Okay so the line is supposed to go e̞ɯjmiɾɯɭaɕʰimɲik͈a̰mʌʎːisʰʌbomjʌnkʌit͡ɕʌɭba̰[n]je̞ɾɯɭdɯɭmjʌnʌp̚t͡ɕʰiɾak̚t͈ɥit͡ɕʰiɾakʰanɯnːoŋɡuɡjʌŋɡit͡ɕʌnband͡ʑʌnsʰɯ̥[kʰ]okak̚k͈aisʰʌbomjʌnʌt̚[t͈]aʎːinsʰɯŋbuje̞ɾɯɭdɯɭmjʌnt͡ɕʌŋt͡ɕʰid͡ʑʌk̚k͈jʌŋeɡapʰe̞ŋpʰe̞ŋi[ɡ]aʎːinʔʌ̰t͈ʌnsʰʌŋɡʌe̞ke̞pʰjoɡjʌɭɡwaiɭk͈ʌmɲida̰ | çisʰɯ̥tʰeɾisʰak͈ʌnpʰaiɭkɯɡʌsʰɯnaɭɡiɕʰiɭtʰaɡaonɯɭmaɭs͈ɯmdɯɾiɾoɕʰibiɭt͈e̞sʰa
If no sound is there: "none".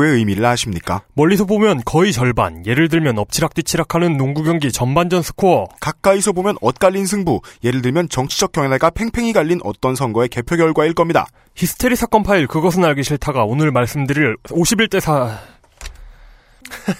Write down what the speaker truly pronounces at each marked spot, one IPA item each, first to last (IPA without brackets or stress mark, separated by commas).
n, kʰ, k͈, ɡ